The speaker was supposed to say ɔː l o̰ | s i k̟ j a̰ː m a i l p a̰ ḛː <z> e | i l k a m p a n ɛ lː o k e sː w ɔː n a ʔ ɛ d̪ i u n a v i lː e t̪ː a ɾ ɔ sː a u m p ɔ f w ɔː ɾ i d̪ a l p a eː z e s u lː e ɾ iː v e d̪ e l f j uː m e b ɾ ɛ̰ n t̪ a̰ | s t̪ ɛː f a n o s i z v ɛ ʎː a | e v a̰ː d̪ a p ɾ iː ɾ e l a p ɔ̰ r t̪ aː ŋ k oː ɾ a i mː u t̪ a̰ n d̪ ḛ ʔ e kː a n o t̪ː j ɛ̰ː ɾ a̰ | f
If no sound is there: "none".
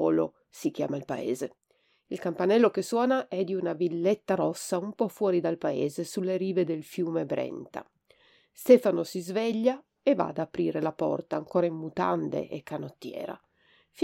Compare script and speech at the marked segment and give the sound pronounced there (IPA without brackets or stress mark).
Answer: z